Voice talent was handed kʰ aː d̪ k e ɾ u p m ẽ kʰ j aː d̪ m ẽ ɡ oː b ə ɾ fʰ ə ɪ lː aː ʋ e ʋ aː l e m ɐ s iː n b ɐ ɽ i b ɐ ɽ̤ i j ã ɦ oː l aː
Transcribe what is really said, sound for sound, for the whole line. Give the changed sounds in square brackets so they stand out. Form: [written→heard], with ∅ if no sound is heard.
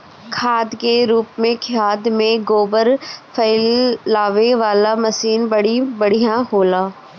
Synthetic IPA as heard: kʰ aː d̪ k e ɾ [u→uː] p m ẽ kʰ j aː d̪ m ẽ ɡ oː b ə ɾ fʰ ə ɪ lː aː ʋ e ʋ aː l [e→a] m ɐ s iː n b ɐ ɽ i b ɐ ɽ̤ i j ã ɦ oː l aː